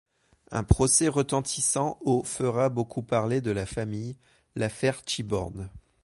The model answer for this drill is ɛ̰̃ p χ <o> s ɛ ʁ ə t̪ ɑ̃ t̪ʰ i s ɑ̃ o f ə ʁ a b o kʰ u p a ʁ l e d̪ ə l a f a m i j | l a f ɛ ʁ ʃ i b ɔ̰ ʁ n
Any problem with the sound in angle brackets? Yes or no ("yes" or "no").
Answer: yes